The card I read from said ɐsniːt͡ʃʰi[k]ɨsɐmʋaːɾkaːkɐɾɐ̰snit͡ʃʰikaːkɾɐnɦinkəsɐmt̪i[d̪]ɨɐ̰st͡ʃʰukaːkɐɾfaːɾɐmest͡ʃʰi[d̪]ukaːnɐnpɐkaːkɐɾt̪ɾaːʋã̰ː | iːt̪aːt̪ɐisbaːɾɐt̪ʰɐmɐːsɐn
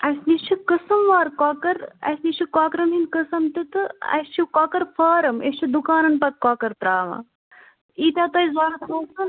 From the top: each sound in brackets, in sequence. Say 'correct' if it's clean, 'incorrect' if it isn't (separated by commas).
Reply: correct, incorrect, correct